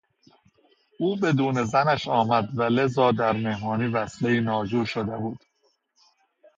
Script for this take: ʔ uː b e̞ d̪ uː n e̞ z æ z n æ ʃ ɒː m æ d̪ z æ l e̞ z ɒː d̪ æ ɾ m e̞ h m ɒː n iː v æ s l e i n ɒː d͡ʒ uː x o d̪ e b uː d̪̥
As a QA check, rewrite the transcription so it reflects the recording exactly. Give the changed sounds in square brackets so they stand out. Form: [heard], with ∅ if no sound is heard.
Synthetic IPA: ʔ uː b e̞ d̪ uː n e̞ z æ [∅] n æ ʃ ɒː m æ d̪ [v] æ l e̞ z ɒː d̪ æ ɾ m e̞ h m ɒː n iː v æ s l e [iː] n ɒː d͡ʒ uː [ʃ] o d̪ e b uː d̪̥

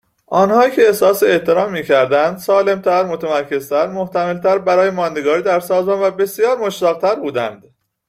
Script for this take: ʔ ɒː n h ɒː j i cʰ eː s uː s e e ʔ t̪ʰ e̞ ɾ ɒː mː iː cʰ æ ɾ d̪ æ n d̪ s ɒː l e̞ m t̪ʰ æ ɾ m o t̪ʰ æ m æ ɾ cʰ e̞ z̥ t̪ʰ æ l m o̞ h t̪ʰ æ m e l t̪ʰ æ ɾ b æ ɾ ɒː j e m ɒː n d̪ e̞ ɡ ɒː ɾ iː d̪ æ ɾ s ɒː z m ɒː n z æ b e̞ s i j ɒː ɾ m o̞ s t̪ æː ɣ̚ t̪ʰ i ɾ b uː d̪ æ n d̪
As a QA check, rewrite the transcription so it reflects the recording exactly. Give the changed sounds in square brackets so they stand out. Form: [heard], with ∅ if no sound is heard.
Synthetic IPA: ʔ ɒː n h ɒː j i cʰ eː s [ɒː] s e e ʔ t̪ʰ e̞ ɾ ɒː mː iː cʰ æ ɾ d̪ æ n d̪ s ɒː l e̞ m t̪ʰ æ ɾ m o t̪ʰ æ m æ ɾ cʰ e̞ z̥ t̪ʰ æ [ɾ] m o̞ h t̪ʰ æ m e l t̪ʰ æ ɾ b æ ɾ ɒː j e m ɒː n d̪ e̞ ɡ ɒː ɾ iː d̪ æ ɾ s ɒː z m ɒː n [v] æ b e̞ s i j ɒː ɾ m o̞ [ʃ] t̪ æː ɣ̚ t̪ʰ [æ] ɾ b uː d̪ æ n d̪

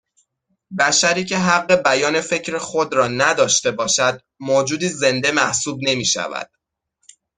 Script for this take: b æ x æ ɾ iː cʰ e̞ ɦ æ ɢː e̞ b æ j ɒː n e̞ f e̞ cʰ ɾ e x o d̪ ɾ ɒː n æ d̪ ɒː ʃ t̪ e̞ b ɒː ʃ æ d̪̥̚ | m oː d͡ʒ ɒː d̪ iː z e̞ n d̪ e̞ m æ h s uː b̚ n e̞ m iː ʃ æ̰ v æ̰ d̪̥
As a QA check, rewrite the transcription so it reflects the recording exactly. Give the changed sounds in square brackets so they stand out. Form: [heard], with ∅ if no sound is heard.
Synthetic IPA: b æ [ʃ] æ ɾ iː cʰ e̞ ɦ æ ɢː e̞ b æ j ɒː n e̞ f e̞ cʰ ɾ e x o d̪ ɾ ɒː n æ d̪ ɒː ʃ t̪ e̞ b ɒː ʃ æ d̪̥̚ | m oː d͡ʒ [uː] d̪ iː z e̞ n d̪ e̞ m æ h s uː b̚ n e̞ m iː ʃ æ̰ v æ̰ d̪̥

